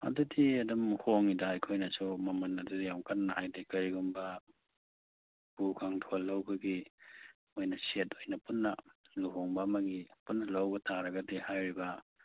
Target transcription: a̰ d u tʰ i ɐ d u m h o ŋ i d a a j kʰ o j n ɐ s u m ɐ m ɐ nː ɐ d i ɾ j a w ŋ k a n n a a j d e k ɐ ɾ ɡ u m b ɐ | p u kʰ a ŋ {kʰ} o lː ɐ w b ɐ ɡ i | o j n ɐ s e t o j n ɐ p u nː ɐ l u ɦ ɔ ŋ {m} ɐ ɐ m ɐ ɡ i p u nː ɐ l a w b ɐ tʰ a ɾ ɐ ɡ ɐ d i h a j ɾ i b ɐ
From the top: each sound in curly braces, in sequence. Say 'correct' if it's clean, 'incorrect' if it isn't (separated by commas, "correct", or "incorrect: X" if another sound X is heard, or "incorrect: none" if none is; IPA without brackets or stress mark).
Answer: incorrect: tʰ, incorrect: b